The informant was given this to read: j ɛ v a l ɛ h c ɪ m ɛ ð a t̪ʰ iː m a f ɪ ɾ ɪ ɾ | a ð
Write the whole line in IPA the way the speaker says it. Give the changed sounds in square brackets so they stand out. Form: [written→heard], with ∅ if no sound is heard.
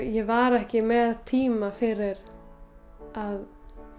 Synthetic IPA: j ɛ v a [l→ɾ] ɛ h c ɪ m ɛ ð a t̪ʰ iː m a f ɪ ɾ ɪ ɾ | a ð